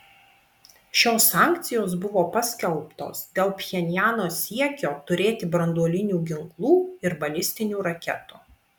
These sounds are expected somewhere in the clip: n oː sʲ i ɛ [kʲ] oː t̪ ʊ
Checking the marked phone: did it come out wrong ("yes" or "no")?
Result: no